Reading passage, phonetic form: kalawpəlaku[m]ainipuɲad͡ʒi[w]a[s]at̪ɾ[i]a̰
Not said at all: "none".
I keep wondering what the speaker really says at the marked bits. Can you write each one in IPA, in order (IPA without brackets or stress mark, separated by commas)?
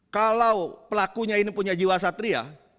ɲ, w, s, i